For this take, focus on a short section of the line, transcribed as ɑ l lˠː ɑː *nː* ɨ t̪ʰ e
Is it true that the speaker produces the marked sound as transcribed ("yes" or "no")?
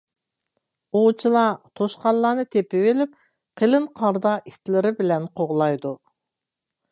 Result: no